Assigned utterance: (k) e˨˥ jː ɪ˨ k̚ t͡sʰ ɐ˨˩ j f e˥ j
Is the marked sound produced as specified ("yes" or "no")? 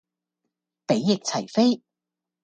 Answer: no